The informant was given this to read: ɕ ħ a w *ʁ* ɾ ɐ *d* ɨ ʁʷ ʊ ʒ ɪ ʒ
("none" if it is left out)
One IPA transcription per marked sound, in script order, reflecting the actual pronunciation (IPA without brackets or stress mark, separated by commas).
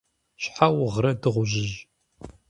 ʁ, d